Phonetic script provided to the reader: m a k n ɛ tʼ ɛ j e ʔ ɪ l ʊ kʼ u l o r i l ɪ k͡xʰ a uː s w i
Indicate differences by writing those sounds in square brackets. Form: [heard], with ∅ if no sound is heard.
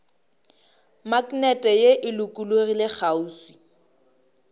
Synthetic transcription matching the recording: m a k n ɛ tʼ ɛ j e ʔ ɪ l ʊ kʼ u l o r i l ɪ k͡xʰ a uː s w i

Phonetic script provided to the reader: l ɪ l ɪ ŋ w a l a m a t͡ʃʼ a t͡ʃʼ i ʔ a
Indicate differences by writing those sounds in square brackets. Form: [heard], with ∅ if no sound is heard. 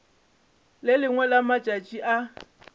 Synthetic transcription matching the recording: l ɪ l ɪ ŋ w [ɛ] l a m a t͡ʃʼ a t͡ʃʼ i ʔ a

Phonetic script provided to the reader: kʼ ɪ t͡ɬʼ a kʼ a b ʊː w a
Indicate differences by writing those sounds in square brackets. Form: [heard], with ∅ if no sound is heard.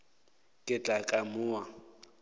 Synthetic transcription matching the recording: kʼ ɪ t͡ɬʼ a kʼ a [m] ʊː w a

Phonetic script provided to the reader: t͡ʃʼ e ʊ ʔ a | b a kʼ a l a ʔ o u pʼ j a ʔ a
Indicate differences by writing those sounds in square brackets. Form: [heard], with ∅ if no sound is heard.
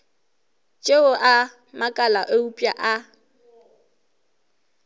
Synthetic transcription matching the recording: t͡ʃʼ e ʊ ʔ a | [m] a kʼ a l a ʔ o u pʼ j a ʔ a

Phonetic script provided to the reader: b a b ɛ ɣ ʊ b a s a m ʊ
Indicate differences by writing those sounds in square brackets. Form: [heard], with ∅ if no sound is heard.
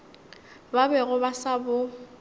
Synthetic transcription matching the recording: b a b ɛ ɣ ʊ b a s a [b] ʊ

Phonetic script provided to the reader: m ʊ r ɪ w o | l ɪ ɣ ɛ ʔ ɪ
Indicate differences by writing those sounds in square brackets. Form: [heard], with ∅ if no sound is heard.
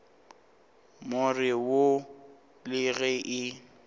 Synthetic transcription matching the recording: m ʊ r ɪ w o | l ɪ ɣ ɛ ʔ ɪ

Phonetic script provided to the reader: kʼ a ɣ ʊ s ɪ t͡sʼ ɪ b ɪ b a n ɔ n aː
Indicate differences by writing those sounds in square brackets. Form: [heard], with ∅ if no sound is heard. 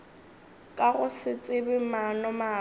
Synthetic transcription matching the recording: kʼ a ɣ ʊ s ɪ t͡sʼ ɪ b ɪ [m] a n ɔ [m] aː

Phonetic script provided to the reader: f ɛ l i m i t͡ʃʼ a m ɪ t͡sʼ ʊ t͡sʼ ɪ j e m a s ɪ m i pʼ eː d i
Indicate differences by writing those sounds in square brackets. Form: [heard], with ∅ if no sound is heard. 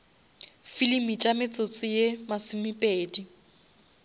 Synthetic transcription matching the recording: f [i] l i m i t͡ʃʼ a m ɪ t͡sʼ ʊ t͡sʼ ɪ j e m a s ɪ m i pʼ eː d i

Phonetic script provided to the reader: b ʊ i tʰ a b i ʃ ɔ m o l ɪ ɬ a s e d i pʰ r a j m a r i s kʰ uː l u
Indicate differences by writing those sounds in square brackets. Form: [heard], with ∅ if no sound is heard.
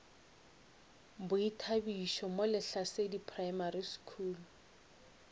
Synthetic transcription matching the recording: b ʊ i tʰ a b i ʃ ɔ m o l ɪ ɬ a s e d i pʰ r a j m a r i s kʰ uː l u

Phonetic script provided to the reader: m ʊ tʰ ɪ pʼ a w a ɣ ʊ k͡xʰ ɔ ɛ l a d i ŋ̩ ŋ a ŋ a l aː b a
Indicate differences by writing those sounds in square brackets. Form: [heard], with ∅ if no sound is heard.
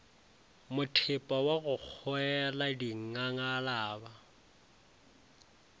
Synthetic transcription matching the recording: m ʊ tʰ ɪ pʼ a w a ɣ ʊ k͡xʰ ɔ ɛ l a d i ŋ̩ ŋ a ŋ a l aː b a

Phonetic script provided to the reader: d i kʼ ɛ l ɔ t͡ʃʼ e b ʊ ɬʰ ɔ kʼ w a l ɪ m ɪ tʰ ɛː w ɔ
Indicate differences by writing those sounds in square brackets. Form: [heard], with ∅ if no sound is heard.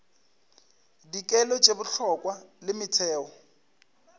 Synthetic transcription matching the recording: d i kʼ ɛ l ɔ t͡ʃʼ e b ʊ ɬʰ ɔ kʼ w a l ɪ m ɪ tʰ ɛː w ɔ

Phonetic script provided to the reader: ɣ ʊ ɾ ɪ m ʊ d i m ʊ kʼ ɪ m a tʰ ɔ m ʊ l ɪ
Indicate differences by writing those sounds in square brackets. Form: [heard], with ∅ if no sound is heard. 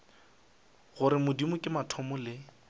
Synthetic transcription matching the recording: ɣ ʊ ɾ ɪ m ʊ d i m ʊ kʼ ɪ m a tʰ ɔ m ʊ l ɪ

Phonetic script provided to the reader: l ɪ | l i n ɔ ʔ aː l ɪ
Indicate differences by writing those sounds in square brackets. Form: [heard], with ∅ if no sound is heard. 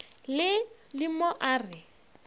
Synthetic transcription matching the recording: l ɪ | l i [m] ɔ ʔ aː [r] ɪ

